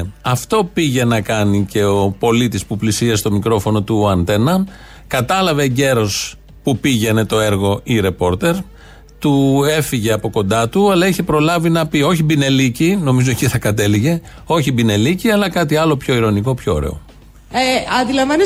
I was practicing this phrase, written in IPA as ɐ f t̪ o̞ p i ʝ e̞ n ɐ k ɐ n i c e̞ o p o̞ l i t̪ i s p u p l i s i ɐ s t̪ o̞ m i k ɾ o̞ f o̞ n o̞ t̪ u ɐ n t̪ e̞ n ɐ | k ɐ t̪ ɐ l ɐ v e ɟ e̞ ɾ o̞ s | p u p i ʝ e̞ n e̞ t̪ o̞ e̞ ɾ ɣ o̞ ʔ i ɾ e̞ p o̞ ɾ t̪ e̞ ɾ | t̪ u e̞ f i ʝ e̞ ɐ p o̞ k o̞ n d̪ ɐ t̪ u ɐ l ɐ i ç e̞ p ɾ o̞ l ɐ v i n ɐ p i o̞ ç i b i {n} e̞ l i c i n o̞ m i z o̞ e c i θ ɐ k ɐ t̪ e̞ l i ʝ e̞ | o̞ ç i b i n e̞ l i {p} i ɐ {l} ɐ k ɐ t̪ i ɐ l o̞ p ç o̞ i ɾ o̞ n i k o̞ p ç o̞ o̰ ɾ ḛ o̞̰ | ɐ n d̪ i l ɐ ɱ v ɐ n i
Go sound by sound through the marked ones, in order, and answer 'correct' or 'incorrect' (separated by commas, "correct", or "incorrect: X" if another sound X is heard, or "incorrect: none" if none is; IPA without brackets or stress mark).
correct, incorrect: c, correct